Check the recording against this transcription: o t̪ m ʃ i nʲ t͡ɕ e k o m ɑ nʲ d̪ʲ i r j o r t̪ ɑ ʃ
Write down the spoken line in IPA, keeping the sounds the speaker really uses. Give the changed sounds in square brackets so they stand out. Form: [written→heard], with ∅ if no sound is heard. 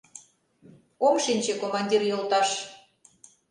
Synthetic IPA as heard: o [t̪→∅] m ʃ i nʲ t͡ɕ e k o m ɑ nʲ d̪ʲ i r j o [r→l] t̪ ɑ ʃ